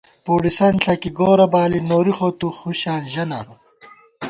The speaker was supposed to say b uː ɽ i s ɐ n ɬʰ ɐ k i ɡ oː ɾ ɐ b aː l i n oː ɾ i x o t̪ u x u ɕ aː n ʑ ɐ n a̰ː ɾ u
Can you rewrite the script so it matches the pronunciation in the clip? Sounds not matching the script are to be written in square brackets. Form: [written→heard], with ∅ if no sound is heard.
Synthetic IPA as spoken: [b→p] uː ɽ i s ɐ n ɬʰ ɐ k i ɡ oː ɾ ɐ b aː l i n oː ɾ i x o t̪ u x u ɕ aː n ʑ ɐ n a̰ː ɾ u